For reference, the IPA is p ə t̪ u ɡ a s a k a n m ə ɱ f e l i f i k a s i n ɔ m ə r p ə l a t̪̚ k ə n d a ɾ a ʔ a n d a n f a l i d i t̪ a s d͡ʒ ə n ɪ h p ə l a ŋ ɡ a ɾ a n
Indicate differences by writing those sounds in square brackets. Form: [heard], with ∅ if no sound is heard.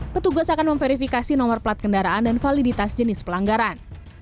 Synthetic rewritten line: p ə t̪ u ɡ a s a k a n m ə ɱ f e [ɾ] i f i k a s i n ɔ m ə r p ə l a t̪̚ k ə n d a ɾ a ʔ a n d a n f a l i d i t̪ a s d͡ʒ ə n ɪ [s] p ə l a ŋ ɡ a ɾ a n